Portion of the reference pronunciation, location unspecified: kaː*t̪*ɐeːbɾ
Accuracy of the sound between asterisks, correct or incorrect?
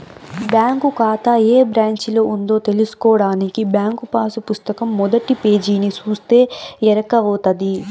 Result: correct